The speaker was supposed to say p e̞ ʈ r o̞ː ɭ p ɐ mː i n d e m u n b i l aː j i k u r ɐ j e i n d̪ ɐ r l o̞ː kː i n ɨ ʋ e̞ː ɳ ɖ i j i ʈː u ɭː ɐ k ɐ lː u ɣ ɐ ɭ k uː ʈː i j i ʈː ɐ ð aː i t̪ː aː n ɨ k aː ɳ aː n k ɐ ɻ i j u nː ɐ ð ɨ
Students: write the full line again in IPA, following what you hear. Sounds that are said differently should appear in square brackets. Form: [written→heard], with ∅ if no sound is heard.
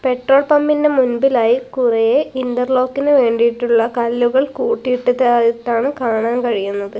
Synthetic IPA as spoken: p e̞ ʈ r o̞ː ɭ p ɐ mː i n d e m u n b i l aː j i k u r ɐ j e i n d̪ ɐ r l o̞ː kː i n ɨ ʋ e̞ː ɳ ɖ i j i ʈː u ɭː ɐ k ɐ lː u ɣ ɐ ɭ k uː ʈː i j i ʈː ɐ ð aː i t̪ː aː [n→ɳ] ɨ k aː ɳ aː n k ɐ ɻ i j u nː ɐ ð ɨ